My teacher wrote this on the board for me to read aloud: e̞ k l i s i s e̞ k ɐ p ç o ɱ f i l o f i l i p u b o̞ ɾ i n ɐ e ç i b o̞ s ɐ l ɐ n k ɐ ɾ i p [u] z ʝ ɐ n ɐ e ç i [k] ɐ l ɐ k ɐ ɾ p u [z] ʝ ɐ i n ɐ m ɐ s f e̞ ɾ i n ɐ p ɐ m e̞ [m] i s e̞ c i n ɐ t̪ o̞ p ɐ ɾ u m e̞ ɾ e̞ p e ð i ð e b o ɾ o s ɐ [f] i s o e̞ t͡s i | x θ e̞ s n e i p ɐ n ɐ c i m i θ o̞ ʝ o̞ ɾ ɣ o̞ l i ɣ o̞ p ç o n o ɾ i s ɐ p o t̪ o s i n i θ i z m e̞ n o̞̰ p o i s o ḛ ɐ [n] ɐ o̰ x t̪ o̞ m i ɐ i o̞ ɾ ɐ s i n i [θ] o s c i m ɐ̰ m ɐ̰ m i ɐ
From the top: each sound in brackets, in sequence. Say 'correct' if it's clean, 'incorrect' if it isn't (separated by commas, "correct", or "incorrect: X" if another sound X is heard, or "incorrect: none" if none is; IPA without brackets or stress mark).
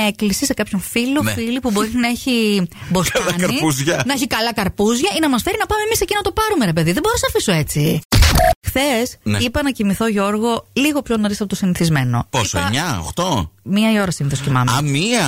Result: correct, correct, correct, correct, correct, incorrect: ɲ, correct